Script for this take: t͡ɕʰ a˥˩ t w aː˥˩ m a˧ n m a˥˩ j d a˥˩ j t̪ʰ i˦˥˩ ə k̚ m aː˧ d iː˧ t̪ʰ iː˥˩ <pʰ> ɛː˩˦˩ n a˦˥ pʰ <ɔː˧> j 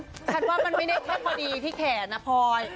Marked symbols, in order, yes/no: no, yes

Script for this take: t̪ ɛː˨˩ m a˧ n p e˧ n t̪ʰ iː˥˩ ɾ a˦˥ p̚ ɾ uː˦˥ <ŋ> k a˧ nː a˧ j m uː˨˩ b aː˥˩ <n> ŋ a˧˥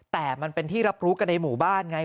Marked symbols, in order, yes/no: no, yes

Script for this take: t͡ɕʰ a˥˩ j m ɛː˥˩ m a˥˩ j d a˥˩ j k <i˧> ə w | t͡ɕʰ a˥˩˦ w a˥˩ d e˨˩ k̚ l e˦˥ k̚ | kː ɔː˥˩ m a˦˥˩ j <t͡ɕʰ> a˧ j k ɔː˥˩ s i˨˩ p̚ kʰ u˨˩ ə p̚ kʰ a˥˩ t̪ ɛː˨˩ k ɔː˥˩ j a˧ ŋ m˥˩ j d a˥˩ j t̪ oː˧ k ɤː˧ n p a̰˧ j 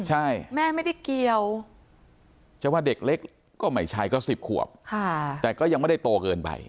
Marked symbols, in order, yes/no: yes, yes

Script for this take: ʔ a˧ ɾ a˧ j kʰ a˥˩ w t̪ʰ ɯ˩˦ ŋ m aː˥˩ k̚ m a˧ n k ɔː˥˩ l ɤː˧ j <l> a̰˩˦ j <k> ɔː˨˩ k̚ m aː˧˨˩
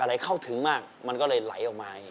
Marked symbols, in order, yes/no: yes, no

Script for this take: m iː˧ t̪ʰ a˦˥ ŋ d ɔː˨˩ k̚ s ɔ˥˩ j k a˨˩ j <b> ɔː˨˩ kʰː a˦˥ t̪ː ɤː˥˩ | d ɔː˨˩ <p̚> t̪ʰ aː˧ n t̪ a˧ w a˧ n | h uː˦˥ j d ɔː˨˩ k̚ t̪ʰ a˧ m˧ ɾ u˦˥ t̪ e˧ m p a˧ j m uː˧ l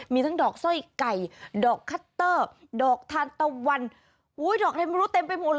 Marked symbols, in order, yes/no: no, no

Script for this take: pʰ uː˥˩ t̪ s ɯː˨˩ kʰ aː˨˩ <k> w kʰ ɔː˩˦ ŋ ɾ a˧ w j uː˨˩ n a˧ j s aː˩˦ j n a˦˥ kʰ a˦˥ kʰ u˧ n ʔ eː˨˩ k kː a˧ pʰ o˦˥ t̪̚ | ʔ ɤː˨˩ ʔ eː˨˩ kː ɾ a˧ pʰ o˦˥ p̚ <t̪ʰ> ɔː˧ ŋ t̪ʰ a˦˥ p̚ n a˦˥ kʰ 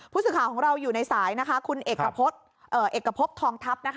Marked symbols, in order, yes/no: no, yes

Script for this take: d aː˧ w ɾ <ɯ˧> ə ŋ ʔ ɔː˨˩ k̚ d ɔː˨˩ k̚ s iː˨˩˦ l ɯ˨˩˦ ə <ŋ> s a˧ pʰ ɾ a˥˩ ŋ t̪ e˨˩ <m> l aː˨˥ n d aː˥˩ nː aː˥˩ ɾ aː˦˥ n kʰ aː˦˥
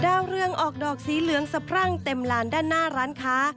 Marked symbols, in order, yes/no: yes, yes, yes

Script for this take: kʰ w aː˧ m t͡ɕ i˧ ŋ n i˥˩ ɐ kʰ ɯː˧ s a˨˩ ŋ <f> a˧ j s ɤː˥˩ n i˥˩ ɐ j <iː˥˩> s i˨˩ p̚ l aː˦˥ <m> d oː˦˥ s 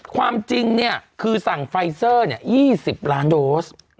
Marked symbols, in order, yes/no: yes, yes, no

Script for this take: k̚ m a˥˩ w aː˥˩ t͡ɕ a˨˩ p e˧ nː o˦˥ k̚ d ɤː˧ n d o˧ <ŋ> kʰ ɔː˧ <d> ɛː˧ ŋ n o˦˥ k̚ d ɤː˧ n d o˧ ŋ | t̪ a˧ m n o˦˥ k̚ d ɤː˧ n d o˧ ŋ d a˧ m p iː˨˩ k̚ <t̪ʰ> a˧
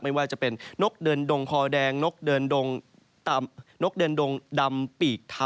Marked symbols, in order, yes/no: yes, yes, yes

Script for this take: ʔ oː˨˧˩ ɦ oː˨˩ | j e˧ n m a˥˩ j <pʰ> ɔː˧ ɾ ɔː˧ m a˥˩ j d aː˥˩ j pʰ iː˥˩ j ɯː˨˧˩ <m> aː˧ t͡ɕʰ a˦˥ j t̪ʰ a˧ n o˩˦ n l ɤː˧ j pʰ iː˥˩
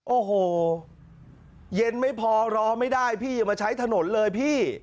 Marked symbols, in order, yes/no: yes, yes

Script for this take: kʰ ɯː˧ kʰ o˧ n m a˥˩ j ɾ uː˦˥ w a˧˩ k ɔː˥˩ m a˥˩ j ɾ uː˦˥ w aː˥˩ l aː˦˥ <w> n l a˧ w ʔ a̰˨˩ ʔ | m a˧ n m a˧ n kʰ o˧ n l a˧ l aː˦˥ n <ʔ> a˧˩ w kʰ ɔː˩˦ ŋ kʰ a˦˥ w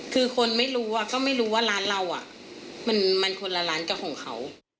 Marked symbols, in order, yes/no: no, no

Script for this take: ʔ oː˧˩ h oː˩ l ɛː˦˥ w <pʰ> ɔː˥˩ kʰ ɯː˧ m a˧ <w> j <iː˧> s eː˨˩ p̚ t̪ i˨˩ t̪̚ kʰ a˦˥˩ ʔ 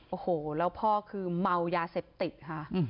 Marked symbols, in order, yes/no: yes, yes, no

